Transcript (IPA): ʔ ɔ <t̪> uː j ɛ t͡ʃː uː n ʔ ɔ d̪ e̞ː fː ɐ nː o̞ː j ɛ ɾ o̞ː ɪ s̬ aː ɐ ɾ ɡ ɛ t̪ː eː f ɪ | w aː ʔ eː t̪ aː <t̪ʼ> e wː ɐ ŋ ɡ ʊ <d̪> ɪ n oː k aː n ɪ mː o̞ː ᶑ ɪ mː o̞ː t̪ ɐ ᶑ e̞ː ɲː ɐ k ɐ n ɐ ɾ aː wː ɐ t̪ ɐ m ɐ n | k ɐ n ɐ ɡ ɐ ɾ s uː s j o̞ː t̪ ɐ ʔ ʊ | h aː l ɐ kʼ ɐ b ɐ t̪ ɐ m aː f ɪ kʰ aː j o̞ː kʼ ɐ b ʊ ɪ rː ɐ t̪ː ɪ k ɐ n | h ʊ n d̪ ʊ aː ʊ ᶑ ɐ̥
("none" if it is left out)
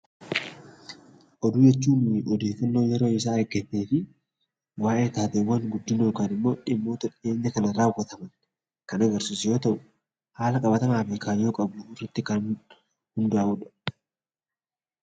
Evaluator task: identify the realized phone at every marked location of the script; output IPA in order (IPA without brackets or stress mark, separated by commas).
d̪, t̪, d̪ː